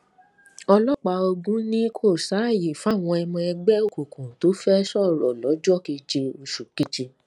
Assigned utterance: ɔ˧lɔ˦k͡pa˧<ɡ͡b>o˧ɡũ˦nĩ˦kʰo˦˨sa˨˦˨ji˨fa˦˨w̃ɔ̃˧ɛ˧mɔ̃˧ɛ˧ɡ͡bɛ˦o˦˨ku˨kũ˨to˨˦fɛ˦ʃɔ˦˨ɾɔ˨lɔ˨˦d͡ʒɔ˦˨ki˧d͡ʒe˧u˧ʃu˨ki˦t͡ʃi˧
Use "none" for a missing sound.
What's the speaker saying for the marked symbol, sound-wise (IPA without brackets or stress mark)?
none